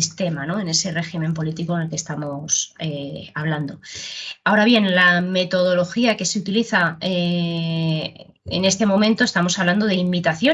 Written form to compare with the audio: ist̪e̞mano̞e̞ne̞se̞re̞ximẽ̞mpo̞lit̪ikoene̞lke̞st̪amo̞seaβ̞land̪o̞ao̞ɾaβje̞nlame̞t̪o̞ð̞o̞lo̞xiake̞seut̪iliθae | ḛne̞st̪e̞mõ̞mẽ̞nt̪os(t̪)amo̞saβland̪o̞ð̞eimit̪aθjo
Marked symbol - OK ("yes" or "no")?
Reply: yes